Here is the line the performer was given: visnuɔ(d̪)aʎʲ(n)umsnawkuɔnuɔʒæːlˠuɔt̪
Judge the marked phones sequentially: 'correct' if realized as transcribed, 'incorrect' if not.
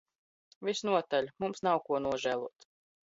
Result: incorrect: t̪, incorrect: m

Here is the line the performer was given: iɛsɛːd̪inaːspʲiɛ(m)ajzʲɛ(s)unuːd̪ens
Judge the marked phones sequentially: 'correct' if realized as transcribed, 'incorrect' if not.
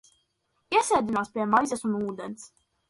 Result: correct, correct

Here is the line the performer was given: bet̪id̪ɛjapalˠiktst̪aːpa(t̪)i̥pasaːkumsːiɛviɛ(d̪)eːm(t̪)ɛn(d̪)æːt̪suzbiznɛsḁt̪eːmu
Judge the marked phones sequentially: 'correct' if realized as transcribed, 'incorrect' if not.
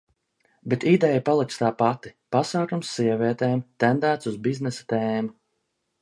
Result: correct, incorrect: t̪, correct, correct

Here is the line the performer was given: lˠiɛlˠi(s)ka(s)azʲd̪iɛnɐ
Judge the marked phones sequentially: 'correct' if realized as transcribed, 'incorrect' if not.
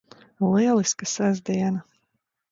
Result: correct, correct

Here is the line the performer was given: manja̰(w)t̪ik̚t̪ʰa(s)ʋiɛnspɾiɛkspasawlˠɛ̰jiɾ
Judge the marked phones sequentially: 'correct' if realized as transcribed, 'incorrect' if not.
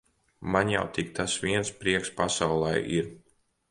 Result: correct, correct

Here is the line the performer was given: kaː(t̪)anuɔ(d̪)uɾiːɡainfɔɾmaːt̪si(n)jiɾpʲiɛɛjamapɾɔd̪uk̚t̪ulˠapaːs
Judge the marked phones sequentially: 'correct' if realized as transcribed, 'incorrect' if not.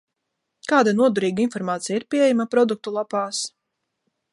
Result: incorrect: d̪, correct, incorrect: none

